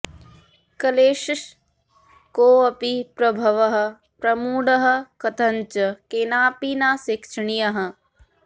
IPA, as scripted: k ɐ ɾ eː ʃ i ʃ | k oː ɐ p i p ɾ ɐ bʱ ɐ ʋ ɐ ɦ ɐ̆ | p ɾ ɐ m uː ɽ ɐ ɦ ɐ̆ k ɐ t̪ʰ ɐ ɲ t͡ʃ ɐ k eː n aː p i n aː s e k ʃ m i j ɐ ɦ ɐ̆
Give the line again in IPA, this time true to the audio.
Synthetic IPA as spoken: k ɐ l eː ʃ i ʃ | k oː ɐ p i p ɾ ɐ bʱ ɐ ʋ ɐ ɦ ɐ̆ | p ɾ ɐ m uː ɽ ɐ ɦ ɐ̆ k ɐ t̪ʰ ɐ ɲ t͡ʃ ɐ k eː n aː p i n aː s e k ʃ ɳ i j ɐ ɦ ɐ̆